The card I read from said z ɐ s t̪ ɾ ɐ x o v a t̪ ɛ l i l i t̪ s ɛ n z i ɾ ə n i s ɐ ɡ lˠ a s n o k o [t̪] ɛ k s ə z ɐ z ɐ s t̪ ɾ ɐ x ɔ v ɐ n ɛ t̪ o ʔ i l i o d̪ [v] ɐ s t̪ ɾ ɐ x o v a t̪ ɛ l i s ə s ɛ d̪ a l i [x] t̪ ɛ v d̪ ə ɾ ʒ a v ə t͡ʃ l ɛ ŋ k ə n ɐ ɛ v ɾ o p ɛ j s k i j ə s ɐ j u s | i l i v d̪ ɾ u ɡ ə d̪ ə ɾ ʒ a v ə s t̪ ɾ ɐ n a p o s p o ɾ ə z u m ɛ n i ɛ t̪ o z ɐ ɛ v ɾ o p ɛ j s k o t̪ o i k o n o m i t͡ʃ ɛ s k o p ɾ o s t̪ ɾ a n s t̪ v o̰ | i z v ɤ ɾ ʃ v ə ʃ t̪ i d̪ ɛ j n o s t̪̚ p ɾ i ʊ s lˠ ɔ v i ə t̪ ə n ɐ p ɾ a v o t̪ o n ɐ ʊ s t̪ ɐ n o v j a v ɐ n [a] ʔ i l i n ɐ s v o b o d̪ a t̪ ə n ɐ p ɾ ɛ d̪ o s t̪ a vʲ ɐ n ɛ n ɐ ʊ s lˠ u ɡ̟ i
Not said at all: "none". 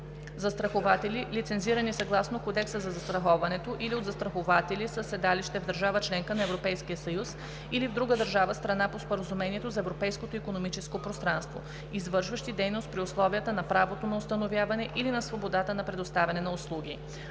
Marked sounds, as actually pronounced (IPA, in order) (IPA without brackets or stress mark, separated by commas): d̪, z, ʃ, ɛ